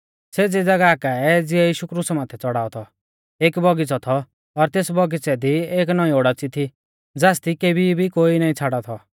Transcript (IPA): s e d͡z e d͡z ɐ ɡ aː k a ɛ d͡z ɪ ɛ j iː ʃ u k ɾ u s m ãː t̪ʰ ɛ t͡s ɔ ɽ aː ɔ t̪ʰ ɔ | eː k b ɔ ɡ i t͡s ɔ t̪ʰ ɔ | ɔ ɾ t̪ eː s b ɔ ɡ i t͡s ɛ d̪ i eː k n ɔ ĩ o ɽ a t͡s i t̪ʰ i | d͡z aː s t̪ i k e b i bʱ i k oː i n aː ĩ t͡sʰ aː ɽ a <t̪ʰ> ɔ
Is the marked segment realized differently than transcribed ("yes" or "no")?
no